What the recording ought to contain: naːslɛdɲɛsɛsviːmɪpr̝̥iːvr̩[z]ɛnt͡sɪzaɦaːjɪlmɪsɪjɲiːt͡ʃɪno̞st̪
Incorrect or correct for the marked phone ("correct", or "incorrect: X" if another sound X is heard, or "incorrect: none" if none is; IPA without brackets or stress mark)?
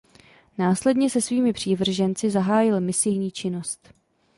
incorrect: ʒ